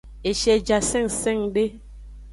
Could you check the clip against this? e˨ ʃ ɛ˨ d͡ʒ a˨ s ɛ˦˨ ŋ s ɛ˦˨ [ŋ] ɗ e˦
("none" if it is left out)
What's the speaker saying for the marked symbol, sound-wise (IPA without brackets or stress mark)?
ŋ